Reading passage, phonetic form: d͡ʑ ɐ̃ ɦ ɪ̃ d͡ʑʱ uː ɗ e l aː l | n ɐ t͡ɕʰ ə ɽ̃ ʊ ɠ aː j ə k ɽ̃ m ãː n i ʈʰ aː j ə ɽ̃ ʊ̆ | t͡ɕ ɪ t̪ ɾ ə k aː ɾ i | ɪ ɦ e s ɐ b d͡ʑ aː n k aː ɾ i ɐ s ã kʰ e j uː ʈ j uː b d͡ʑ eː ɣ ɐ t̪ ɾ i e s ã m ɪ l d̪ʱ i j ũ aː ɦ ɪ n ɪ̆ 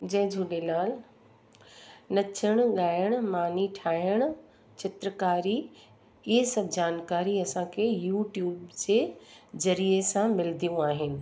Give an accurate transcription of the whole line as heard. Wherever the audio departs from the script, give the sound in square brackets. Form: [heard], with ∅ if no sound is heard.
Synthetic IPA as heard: d͡ʑ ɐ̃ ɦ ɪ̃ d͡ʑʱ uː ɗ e l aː l | n ɐ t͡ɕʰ ə ɽ̃ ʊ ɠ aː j ə [∅] ɽ̃ m [aː] n i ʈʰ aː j ə ɽ̃ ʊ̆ | t͡ɕ ɪ t̪ ɾ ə k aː ɾ i | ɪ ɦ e s ɐ b d͡ʑ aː n k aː ɾ i ɐ s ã kʰ e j uː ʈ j uː b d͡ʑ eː [z] ɐ [∅] ɾ i e s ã m ɪ l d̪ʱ i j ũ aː ɦ ɪ n ɪ̆